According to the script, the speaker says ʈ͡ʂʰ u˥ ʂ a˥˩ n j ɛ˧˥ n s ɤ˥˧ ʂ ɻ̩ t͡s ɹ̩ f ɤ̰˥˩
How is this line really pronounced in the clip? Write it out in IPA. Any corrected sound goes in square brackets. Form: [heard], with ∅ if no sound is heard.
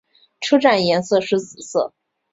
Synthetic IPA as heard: ʈ͡ʂʰ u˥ [ʈ͡ʂ] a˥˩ n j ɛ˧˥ n s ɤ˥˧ ʂ ɻ̩ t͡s ɹ̩ [s] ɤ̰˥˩